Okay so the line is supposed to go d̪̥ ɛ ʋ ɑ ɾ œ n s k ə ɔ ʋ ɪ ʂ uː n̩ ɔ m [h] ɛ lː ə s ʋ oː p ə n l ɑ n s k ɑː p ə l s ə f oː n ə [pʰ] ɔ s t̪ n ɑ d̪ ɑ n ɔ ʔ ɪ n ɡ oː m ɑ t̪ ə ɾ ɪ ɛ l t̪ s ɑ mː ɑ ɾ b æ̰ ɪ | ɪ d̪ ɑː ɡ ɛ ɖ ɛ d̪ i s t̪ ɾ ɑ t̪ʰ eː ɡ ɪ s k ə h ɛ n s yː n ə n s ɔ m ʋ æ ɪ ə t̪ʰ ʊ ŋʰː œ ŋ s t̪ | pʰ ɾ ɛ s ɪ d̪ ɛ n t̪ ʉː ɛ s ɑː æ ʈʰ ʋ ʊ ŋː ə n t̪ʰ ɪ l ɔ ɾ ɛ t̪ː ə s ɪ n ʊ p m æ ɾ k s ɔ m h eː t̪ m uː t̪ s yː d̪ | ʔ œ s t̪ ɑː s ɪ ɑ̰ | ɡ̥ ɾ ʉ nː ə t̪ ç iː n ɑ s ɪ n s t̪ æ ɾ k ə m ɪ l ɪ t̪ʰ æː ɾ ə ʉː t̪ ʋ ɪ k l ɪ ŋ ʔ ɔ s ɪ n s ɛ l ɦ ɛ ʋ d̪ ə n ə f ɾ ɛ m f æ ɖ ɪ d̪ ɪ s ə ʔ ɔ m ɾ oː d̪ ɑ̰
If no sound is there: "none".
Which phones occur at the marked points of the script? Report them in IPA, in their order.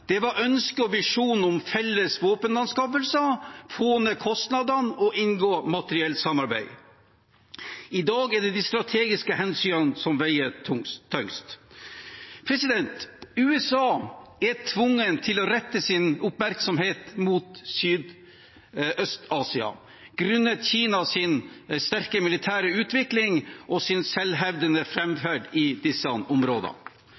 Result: f, kʰ

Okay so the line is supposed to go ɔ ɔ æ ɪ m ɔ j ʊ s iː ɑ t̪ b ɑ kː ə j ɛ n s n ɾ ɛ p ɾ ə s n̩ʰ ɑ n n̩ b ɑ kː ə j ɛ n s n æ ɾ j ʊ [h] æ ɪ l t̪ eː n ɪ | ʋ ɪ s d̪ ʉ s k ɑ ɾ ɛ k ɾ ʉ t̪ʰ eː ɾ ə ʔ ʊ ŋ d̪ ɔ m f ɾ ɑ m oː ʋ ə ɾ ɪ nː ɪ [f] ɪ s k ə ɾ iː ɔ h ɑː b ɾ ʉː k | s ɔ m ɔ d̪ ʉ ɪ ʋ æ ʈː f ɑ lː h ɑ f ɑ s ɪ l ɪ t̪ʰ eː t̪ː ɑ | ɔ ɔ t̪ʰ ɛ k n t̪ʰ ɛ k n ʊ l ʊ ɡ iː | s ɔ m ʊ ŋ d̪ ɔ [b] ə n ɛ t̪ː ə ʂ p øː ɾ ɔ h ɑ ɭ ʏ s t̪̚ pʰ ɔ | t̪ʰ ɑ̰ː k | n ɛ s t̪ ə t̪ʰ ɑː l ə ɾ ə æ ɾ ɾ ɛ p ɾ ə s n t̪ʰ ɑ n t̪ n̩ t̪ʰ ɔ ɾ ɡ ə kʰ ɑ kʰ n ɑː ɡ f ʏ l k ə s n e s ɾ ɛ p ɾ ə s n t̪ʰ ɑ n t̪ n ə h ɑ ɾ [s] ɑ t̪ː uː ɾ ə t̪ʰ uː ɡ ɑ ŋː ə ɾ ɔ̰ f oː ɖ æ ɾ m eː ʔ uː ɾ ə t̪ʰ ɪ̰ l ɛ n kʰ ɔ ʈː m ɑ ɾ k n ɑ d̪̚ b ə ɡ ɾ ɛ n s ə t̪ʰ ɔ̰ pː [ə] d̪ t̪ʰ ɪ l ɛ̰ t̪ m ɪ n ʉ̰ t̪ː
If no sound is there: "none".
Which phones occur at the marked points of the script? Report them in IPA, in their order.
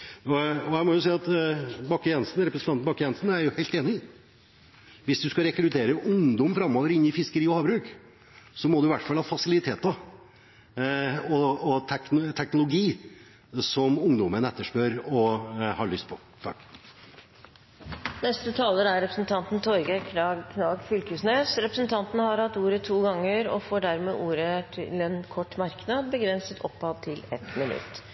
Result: h, f, m, h, ɑ

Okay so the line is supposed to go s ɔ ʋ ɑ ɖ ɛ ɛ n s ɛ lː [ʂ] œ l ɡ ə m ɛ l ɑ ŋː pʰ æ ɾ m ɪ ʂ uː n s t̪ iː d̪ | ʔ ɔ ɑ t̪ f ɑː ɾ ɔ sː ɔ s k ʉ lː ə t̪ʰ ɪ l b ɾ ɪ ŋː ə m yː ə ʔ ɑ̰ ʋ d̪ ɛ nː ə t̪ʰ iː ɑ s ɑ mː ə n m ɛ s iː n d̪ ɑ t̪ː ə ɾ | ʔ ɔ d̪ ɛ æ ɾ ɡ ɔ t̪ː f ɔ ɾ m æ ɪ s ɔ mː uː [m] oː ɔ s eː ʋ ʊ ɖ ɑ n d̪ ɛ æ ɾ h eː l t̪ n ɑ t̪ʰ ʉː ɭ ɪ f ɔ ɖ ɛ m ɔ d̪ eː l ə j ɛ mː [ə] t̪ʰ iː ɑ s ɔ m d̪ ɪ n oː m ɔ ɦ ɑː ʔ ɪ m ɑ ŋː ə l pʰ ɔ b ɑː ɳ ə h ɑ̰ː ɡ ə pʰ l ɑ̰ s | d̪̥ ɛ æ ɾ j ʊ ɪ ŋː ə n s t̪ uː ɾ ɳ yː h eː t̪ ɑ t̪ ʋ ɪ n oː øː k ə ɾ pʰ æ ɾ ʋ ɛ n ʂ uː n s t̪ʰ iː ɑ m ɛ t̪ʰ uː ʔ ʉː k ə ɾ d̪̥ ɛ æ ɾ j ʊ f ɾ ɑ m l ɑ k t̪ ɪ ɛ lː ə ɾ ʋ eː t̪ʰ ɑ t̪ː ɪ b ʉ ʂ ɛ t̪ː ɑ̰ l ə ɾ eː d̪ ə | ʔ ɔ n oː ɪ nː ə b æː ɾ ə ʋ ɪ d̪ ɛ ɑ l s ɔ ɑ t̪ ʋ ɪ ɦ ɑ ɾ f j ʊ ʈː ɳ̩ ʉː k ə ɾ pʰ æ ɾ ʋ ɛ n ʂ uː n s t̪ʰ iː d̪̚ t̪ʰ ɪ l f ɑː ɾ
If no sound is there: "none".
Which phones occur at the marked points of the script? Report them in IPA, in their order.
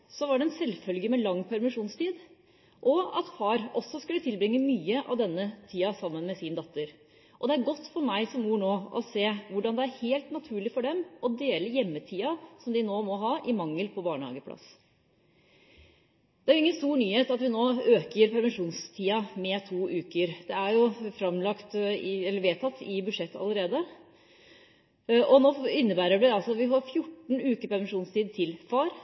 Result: f, ɳ, ə

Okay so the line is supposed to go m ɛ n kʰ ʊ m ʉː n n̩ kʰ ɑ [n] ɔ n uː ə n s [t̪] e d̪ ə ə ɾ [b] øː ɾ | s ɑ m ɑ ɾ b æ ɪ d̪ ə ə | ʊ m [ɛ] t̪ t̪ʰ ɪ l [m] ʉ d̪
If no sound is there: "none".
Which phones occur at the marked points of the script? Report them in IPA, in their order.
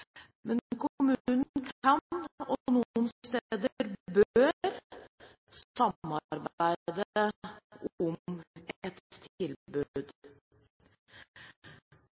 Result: n, t̪, b, ɛ, b

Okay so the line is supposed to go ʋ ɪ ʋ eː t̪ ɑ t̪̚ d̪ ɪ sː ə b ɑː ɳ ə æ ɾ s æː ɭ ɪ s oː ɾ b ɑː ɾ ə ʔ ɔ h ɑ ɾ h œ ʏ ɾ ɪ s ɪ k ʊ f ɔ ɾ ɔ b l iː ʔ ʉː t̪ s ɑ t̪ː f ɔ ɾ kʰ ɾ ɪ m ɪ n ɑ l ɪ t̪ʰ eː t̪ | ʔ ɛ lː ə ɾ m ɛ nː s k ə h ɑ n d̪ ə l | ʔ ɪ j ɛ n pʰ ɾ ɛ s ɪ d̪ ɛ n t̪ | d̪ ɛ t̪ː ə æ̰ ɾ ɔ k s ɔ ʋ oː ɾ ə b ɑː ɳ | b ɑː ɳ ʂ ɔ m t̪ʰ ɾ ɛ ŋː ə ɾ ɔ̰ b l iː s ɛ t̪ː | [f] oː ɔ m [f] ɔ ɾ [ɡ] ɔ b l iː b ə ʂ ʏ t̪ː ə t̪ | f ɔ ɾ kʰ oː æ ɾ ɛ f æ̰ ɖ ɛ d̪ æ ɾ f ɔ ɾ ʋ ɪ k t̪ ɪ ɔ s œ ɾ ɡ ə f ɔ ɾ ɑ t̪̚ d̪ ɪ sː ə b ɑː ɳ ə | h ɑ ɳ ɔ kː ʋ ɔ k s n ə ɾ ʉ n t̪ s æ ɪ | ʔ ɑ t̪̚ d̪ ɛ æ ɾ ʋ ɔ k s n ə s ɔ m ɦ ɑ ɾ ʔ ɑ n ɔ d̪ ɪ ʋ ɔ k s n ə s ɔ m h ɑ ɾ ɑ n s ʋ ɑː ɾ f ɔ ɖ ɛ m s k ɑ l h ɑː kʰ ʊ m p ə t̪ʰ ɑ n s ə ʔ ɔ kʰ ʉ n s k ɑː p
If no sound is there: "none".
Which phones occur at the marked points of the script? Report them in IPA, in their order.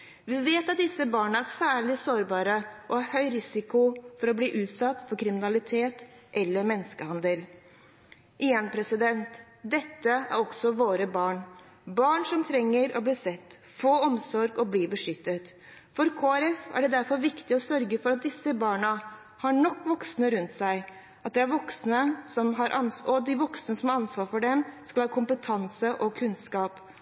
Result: f, s, ɡ

